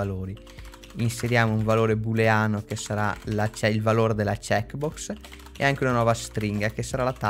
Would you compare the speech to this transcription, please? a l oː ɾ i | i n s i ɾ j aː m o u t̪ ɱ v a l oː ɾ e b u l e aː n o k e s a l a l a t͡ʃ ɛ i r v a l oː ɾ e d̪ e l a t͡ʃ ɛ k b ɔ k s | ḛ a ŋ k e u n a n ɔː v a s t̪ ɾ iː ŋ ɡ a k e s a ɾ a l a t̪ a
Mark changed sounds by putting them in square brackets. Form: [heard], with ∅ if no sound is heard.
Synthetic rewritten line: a l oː ɾ i | i n s [e] ɾ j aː m o u [∅] ɱ v a l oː ɾ e b u l e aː n o k e s a [ɾ] a l a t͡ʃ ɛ i [l] v a l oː ɾ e d̪ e l a t͡ʃ ɛ k b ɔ k s | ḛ a ŋ k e u n a n ɔː v a s t̪ ɾ [i] ŋ ɡ a k e s a ɾ a l a t̪ a